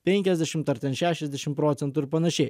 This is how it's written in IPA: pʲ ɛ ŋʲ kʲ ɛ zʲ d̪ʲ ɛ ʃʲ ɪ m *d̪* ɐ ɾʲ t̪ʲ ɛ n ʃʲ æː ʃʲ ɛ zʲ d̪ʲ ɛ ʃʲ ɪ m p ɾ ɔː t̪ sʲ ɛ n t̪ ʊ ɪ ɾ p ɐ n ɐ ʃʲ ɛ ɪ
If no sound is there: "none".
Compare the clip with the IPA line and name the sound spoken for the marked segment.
t̪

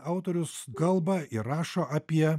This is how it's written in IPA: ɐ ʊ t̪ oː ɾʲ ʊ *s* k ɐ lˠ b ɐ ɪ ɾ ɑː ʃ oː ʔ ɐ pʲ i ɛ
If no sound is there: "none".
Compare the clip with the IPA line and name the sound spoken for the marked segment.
s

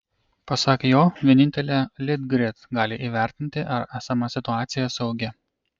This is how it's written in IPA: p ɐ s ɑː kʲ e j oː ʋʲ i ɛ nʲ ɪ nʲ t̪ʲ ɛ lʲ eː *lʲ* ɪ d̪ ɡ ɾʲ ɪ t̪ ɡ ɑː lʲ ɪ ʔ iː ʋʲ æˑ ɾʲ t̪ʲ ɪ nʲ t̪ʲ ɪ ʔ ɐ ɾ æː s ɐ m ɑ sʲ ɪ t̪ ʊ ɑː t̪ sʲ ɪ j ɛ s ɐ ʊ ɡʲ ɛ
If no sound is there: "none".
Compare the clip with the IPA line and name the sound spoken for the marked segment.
lʲ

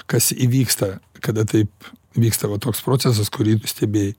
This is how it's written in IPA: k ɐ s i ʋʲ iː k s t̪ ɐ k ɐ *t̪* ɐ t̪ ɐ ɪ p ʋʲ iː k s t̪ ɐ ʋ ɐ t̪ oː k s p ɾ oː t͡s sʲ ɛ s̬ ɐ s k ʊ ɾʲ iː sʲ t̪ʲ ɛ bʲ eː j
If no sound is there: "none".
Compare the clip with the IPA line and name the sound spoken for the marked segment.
d̪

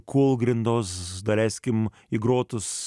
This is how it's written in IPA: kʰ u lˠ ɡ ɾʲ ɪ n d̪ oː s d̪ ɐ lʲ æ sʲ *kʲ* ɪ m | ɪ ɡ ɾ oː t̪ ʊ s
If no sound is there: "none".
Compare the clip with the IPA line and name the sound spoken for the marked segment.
kʲ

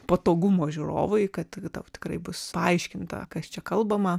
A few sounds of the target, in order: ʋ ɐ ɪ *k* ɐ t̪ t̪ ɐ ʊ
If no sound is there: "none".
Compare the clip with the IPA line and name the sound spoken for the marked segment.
k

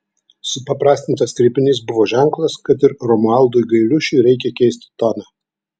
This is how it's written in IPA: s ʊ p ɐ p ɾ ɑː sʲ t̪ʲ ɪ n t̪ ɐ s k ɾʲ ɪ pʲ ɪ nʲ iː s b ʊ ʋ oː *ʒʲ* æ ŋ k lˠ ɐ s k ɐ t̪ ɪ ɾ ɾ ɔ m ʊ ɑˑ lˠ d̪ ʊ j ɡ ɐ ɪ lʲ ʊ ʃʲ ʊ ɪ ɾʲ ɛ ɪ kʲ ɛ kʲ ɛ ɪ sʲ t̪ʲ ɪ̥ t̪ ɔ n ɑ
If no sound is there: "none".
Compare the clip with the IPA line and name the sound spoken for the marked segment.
ʒʲ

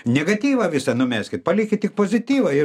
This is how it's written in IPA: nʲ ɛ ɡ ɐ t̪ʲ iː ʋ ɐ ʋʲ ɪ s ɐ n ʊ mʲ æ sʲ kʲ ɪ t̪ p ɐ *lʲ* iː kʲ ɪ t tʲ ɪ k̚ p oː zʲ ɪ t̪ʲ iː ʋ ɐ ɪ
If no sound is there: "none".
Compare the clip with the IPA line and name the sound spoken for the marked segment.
lʲ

